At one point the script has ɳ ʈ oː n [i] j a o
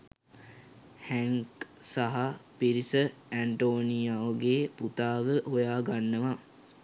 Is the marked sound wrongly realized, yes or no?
no